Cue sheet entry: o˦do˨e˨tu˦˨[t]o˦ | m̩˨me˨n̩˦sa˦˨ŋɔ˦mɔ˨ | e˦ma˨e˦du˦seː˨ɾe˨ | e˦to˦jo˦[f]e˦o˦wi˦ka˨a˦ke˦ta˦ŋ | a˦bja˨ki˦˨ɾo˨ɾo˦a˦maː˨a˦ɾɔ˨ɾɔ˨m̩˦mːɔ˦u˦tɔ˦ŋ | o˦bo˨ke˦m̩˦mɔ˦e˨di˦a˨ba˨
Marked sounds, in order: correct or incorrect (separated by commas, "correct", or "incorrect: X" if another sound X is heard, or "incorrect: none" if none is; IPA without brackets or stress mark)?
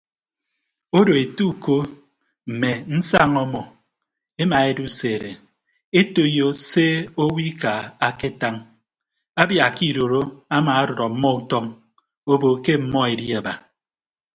incorrect: k, incorrect: s